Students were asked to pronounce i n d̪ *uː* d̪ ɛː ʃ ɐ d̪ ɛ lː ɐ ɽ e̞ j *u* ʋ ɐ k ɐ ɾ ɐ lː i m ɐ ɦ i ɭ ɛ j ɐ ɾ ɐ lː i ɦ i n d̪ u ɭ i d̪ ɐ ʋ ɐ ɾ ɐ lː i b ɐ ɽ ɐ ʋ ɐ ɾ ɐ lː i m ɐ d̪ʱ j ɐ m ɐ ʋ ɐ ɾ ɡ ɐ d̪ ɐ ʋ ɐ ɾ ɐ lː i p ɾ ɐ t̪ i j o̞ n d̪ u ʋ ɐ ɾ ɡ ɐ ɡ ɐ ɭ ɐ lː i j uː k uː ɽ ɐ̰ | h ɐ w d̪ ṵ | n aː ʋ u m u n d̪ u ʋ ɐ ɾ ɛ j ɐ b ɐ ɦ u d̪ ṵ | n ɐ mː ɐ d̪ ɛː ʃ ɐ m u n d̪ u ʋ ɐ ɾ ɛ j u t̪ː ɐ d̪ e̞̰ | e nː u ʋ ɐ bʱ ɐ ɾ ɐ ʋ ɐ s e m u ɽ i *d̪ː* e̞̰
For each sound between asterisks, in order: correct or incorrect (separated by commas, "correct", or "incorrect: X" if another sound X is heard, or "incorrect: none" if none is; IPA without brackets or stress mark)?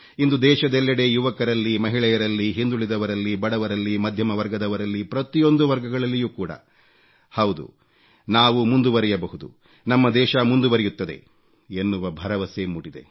incorrect: u, correct, incorrect: d̪